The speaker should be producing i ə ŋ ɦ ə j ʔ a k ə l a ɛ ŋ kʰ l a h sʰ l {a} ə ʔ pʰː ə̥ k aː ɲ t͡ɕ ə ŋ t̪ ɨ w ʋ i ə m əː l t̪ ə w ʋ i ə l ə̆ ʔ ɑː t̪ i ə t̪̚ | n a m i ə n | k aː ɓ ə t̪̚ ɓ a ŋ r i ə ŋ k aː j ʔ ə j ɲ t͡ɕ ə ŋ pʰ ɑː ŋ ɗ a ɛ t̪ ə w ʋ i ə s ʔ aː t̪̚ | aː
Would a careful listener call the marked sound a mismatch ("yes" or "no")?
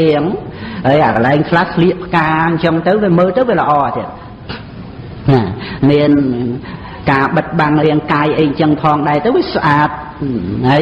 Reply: yes